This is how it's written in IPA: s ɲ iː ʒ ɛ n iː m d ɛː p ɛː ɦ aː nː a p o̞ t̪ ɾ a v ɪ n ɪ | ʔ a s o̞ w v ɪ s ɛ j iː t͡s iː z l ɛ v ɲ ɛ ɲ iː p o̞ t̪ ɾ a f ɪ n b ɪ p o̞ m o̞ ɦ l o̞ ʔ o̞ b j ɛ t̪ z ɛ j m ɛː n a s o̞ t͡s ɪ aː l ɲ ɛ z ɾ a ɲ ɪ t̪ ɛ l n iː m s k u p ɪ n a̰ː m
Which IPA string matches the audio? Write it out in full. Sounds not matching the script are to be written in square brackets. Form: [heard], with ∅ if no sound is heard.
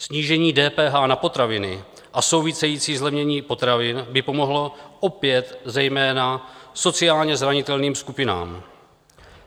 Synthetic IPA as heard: s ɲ iː ʒ ɛ [ɲ] iː [∅] d ɛː p ɛː ɦ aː [n] a p o̞ t̪ ɾ a v ɪ n ɪ | ʔ a s o̞ w v ɪ s ɛ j iː t͡s iː z l ɛ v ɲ ɛ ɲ iː p o̞ t̪ ɾ a [v] ɪ n b ɪ p o̞ m o̞ ɦ l o̞ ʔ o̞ [p] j ɛ t̪ z ɛ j m ɛː n a s o̞ t͡s ɪ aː l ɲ ɛ z ɾ a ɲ ɪ t̪ ɛ l n iː m s k u p ɪ n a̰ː m